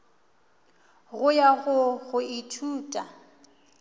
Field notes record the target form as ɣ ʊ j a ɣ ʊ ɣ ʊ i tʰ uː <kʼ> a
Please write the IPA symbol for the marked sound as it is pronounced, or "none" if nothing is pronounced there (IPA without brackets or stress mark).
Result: tʼ